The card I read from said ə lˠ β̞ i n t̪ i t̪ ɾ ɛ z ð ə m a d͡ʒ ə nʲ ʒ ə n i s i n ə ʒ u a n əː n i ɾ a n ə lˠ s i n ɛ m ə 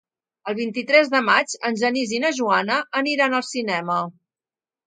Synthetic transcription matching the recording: ə lˠ β̞ i n t̪ i t̪ ɾ ɛ z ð ə m a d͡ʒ ə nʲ ʒ ə n i z i n ə ʒ u a n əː n i ɾ a n ə lˠ s i n ɛ m ə